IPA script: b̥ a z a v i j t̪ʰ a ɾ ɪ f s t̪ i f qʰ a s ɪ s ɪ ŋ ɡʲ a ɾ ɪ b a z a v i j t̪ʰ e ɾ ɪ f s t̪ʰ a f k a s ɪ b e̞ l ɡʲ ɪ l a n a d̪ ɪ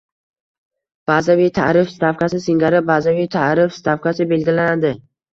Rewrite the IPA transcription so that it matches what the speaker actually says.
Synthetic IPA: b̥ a z a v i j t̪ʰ a ɾ ɪ f s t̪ a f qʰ a s ɪ s ɪ ŋ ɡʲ a ɾ ɪ b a z a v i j t̪ʰ a ɾ ɪ f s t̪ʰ a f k a s ɪ b e̞ l ɡʲ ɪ l a n a d̪ ɪ